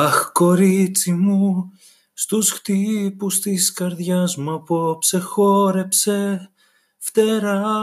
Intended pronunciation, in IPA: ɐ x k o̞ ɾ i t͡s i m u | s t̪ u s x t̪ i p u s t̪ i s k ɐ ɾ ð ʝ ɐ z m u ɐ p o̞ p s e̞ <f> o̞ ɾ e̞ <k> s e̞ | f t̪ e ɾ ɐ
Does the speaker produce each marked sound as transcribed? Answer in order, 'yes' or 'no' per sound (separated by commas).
no, no